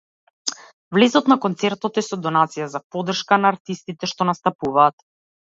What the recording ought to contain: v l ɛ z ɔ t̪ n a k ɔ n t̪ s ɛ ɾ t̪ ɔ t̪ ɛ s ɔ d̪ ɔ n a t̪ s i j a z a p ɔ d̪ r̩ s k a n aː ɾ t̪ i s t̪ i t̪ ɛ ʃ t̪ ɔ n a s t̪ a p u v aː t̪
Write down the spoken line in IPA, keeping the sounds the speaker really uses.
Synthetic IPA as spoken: v l ɛ z ɔ t̪ n a k ɔ n t̪ s ɛ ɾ t̪ ɔ t̪ ɛ s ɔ d̪ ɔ n a t̪ s i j a z a p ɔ d̪ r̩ ʃ k a n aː ɾ t̪ i s t̪ i t̪ ɛ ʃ t̪ ɔ n a s t̪ a p u v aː t̪